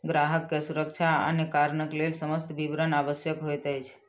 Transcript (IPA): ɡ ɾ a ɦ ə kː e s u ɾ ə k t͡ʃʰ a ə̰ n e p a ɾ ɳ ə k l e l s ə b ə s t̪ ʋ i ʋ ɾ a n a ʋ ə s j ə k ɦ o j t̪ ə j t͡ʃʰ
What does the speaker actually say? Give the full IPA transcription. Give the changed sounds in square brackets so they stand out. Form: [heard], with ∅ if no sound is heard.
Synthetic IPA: ɡ ɾ a ɦ ə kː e s u ɾ ə k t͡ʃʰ a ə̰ n e [k] a ɾ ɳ ə k l e l s ə [m] ə s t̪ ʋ i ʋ ɾ [ə] n a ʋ ə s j ə k ɦ o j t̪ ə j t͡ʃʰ